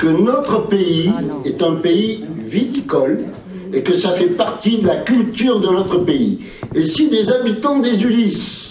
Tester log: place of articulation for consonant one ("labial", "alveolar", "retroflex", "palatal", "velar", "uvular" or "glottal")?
velar